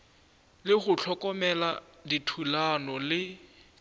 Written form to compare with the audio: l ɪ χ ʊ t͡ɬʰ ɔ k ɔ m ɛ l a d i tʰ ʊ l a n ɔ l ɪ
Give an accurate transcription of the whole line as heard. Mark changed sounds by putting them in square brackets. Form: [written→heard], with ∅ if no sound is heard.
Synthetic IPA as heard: l ɪ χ ʊ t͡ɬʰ ɔ k ɔ m ɛ l a d i tʰ [ʊ→u] l a n ɔ l ɪ